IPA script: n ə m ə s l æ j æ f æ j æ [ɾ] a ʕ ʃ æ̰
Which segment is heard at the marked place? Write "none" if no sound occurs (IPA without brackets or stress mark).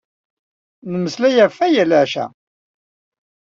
l